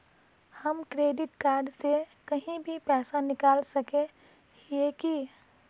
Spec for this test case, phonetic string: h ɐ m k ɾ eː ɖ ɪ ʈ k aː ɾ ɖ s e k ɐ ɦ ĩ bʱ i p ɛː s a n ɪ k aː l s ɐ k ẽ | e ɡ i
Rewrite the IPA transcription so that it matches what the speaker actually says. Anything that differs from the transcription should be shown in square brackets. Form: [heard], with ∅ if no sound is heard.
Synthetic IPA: h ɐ m k ɾ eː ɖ ɪ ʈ k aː ɾ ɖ s e k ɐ ɦ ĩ bʱ i p ɛː s a n ɪ k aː l s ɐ k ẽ | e [k] i